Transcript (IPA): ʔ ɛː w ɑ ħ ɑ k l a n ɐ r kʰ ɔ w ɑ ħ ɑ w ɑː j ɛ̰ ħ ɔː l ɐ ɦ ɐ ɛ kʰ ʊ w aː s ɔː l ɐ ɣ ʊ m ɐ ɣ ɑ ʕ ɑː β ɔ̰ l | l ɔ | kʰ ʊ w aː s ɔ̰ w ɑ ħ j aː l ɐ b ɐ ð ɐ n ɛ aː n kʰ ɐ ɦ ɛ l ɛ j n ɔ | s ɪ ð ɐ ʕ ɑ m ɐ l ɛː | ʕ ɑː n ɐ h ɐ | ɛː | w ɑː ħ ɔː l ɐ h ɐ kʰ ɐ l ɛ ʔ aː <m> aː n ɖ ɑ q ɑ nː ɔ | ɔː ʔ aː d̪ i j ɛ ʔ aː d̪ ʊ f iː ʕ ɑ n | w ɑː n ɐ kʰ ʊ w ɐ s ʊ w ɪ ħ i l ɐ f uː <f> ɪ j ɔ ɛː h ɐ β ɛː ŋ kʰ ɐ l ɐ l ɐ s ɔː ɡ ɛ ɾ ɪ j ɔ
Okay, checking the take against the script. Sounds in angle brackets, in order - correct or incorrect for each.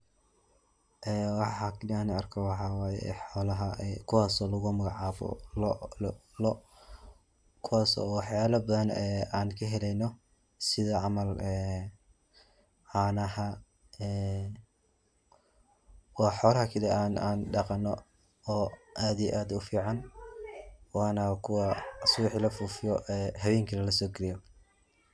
incorrect: n, correct

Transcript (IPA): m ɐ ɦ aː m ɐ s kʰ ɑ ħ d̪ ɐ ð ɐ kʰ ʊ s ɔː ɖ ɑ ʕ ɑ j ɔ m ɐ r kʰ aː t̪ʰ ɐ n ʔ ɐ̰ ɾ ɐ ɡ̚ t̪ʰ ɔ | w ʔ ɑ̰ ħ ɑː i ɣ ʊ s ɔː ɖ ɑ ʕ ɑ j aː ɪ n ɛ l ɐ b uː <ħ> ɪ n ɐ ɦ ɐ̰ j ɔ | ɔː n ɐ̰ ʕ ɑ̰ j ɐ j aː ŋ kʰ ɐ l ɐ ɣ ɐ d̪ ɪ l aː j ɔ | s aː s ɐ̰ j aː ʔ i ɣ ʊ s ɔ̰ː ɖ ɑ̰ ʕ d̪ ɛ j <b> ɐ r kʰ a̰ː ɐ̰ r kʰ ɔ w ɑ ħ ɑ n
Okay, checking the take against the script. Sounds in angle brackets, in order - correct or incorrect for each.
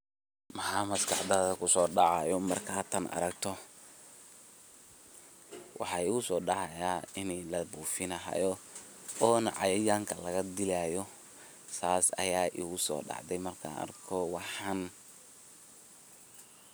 incorrect: f, incorrect: m

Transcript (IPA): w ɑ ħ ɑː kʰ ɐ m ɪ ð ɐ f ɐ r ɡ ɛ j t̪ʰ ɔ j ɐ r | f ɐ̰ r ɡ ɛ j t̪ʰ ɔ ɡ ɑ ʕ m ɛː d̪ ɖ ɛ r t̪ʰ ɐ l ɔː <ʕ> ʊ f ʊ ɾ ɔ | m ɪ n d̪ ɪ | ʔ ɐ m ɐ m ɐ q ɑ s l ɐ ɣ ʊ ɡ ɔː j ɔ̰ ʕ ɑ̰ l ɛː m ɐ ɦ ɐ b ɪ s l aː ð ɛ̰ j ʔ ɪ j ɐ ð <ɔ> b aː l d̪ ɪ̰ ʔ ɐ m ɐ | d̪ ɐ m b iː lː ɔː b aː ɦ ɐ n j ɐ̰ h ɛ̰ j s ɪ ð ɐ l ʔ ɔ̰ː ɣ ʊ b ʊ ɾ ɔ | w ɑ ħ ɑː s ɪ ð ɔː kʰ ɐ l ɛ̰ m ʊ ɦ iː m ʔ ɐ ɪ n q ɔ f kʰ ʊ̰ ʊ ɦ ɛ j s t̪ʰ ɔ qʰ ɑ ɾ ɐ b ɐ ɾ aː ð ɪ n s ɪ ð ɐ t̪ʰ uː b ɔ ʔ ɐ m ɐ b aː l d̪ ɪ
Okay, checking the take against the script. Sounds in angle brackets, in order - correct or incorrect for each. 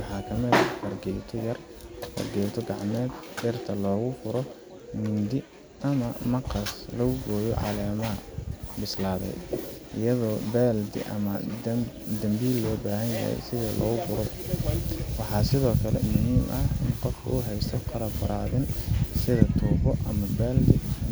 incorrect: ɣ, incorrect: ɔː

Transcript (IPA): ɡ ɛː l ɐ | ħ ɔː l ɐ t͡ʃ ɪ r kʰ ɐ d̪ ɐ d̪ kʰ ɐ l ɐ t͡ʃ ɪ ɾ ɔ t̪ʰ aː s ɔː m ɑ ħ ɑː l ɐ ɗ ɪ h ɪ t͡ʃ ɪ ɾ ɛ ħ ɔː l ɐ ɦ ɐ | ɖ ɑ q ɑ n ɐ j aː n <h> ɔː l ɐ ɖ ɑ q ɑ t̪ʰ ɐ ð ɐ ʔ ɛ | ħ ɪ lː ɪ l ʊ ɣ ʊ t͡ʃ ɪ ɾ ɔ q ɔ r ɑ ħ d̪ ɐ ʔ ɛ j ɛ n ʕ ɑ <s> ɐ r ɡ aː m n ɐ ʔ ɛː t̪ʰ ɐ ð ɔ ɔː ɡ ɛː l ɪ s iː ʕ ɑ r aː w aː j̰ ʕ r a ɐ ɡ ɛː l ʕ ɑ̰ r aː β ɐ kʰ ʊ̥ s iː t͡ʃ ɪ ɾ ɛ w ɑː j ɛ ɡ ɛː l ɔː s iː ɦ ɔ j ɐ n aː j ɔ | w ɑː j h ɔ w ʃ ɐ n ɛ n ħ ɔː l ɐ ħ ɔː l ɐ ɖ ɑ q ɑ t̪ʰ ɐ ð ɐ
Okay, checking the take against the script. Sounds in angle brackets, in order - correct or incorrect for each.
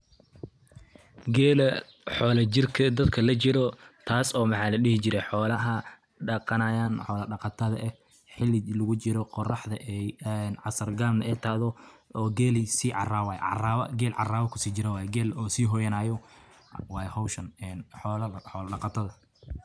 incorrect: ħ, correct

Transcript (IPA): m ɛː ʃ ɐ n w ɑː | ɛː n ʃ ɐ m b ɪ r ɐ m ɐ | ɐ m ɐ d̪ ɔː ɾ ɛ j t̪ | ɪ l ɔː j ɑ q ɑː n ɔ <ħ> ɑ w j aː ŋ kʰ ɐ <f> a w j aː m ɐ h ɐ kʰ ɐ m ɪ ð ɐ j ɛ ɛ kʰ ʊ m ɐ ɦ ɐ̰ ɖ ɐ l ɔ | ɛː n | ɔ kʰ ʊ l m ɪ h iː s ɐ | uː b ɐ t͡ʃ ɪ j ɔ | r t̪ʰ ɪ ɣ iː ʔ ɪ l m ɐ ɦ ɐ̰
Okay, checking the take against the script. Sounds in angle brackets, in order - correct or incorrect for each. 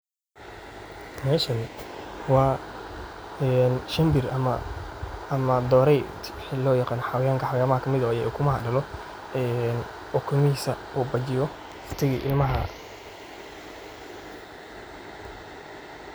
correct, incorrect: ħ

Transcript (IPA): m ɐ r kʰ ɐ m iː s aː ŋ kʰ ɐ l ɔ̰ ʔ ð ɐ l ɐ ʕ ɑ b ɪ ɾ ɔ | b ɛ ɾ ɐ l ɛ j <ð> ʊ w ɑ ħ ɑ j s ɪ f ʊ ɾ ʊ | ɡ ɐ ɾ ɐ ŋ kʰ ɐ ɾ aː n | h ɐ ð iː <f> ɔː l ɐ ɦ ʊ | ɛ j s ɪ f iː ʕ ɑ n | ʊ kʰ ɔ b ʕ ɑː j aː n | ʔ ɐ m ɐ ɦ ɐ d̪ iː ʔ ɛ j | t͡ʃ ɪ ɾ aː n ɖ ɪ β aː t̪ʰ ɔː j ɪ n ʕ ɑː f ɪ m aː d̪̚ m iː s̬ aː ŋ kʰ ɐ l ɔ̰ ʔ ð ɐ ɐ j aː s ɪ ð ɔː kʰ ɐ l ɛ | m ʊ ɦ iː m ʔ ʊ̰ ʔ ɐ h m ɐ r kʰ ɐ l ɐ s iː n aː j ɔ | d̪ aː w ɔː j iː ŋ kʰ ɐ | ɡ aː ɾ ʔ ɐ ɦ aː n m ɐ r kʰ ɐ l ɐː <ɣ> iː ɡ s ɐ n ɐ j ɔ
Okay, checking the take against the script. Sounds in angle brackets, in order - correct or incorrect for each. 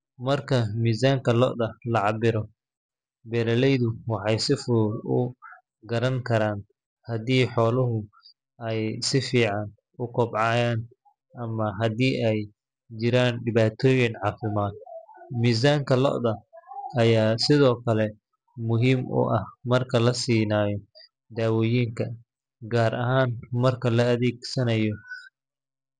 correct, incorrect: ħ, incorrect: ð

